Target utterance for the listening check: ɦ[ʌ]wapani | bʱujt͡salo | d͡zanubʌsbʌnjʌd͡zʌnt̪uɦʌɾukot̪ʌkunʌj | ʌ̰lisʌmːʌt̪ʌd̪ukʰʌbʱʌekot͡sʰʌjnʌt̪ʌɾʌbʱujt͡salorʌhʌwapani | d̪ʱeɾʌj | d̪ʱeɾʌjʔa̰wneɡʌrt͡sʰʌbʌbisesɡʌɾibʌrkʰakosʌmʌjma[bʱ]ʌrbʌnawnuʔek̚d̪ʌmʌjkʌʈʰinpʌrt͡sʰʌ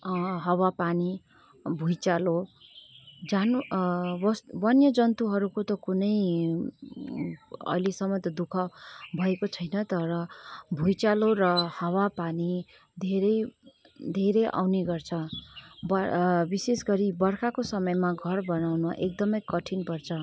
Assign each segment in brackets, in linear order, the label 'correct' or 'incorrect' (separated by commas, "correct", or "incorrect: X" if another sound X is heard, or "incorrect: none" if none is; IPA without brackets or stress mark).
correct, incorrect: ɡʱ